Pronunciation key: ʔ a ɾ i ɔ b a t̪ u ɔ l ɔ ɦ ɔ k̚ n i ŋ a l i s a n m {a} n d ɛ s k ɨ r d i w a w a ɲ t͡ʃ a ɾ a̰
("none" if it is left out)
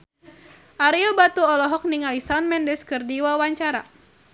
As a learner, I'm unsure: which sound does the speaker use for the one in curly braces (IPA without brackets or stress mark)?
ɛ